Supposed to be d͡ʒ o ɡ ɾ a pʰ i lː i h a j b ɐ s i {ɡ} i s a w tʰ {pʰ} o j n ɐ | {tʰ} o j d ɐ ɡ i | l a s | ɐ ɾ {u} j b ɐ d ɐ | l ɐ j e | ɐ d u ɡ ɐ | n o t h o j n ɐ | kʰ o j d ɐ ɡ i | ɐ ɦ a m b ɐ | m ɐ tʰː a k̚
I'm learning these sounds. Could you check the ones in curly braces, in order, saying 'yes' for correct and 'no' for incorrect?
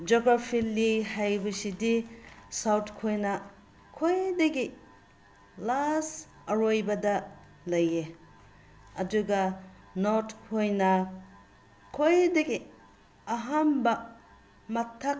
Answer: no, no, no, no

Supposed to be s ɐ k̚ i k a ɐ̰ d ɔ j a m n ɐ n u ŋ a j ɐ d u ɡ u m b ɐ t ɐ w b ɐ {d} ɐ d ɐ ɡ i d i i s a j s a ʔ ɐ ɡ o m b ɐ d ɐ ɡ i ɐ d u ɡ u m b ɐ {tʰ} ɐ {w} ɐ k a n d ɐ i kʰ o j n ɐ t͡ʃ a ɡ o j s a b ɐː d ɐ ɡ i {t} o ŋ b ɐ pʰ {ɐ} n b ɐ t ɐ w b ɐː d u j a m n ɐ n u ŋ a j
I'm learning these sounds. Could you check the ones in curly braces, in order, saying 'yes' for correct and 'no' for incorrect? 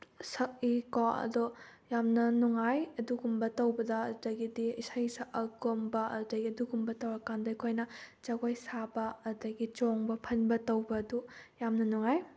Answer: yes, no, yes, no, yes

